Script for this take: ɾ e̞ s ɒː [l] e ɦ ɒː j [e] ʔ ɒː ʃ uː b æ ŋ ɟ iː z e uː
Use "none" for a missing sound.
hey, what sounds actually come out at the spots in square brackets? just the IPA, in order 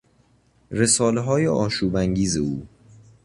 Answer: l, e

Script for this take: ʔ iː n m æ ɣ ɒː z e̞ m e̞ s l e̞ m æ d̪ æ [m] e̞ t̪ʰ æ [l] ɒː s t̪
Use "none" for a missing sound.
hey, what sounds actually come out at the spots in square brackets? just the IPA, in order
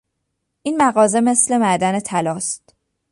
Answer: n, l

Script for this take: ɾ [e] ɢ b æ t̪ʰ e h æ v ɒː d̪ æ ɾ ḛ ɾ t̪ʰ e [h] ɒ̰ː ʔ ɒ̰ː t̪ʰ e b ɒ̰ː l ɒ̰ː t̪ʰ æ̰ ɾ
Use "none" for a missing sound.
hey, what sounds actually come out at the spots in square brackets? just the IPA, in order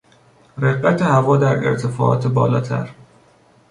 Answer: e, f

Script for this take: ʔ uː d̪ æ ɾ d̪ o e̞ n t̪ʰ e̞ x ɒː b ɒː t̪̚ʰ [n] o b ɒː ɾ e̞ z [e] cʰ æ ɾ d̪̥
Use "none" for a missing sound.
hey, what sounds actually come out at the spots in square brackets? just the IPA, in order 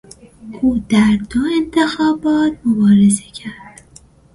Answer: m, e

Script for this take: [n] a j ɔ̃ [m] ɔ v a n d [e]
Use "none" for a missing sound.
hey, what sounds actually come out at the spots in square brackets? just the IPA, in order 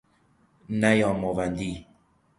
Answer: n, m, i

